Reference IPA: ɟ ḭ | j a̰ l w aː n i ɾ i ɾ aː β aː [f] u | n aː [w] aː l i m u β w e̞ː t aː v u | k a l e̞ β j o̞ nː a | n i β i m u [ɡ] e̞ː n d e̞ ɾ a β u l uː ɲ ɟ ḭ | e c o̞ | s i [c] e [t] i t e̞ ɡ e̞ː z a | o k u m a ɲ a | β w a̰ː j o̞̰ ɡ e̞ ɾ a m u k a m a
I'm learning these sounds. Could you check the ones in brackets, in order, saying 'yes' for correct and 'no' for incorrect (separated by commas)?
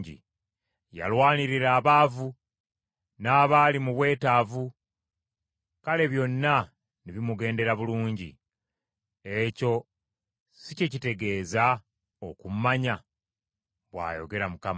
no, no, yes, yes, no